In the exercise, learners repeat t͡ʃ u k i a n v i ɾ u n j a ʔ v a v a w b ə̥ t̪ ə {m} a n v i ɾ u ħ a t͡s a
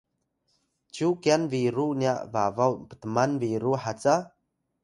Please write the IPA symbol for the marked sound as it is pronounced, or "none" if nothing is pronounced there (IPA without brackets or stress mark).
m